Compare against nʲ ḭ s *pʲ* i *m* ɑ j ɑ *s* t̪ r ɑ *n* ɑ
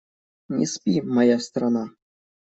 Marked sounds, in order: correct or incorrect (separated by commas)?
correct, correct, correct, correct